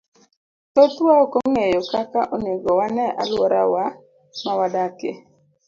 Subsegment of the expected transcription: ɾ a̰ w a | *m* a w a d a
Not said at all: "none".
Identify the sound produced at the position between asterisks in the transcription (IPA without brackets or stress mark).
m